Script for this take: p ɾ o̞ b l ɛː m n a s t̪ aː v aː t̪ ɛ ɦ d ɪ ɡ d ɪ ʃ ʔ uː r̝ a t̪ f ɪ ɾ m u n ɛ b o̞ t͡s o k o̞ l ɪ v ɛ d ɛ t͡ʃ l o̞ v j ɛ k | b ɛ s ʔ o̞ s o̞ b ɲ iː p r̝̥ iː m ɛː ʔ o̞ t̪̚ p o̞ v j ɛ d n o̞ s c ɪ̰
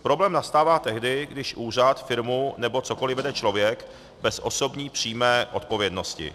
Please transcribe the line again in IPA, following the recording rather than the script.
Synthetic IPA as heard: p ɾ o̞ b l ɛː m n a s t̪ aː v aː t̪ ɛ ɦ d ɪ ɡ d ɪ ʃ ʔ uː r̝ a t̪ f ɪ ɾ m u n ɛ b o̞ t͡s o k o̞ l ɪ v ɛ d ɛ t͡ʃ l o̞ v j ɛ k | b ɛ s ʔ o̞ s o̞ b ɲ iː p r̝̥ iː m ɛː ʔ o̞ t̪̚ p o̞ v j ɛ d n o̞ s c ɪ̰